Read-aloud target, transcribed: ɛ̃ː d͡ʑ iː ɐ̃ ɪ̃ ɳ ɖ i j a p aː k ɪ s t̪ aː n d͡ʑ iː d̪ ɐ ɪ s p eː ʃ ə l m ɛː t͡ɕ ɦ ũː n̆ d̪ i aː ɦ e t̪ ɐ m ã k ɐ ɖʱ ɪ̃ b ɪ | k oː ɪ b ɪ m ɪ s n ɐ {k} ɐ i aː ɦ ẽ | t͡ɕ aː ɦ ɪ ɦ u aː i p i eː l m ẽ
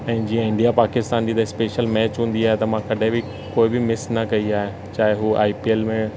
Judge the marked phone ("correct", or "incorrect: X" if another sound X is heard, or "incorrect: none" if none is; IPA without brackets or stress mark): correct